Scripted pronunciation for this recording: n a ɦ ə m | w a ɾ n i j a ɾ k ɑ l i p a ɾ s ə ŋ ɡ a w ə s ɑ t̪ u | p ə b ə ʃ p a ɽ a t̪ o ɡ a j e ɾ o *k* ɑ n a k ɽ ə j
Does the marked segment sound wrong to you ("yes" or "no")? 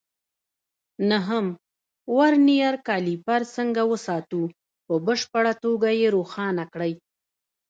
yes